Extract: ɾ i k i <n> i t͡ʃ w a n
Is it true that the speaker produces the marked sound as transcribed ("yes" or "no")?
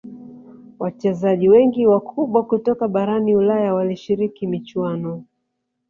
no